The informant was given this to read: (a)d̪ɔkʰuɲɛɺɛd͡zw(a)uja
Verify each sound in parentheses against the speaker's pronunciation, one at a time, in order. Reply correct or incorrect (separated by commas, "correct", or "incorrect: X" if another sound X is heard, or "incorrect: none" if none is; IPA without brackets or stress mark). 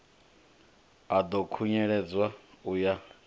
correct, correct